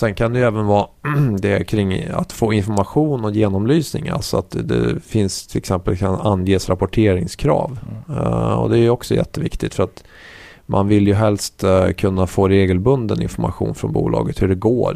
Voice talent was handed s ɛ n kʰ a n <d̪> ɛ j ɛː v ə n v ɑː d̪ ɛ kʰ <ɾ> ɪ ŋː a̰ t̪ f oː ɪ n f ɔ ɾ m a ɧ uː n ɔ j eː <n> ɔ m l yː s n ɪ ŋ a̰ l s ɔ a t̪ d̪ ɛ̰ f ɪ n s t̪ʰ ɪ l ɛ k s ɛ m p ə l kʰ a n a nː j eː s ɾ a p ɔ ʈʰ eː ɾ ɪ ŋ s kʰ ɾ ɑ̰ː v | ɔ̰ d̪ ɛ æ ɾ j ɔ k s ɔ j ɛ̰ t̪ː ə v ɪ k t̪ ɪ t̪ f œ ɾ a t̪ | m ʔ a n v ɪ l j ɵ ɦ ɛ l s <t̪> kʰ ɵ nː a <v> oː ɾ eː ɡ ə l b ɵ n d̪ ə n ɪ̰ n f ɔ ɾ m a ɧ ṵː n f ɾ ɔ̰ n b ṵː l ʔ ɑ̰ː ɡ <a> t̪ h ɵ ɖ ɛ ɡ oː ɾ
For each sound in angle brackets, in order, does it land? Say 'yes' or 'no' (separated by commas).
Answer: yes, yes, yes, yes, no, no